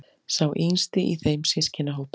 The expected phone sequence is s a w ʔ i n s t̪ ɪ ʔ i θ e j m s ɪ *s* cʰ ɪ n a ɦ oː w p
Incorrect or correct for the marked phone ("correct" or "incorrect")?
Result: correct